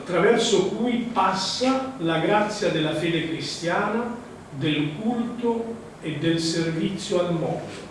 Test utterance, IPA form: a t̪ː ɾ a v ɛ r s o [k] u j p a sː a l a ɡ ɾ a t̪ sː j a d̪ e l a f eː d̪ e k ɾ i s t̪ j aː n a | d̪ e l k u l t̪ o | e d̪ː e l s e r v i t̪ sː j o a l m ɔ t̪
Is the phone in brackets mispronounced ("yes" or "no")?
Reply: no